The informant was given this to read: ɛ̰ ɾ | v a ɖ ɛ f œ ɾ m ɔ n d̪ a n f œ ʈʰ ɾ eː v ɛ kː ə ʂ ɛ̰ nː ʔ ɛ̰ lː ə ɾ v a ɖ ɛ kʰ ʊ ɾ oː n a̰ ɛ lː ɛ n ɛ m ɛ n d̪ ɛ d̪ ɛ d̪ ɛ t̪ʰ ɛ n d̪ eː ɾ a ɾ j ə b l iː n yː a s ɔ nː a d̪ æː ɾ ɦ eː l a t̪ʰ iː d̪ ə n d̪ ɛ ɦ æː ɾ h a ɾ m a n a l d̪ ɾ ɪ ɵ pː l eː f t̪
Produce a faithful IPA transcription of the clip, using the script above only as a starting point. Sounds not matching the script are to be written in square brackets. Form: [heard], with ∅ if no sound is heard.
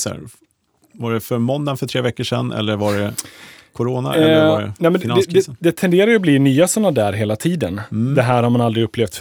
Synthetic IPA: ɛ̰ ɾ | v a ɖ ɛ f œ ɾ m ɔ n d̪ a n f œ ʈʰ ɾ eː v ɛ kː ə ʂ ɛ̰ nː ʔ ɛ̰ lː ə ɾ v a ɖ ɛ kʰ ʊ ɾ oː n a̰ ɛ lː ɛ n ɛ m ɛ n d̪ ɛ d̪ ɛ d̪ ɛ t̪ʰ ɛ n d̪ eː ɾ a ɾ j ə b l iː n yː a s ɔ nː a d̪ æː ɾ ɦ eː l a t̪ʰ iː d̪ ə n d̪ ɛ ɦ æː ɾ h a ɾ m a n a l d̪ ɾ ɪ ɵ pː l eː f t̪